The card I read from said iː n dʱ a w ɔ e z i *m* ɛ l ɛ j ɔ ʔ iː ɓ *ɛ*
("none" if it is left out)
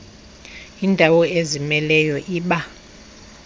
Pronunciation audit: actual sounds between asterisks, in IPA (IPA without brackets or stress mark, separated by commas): m, a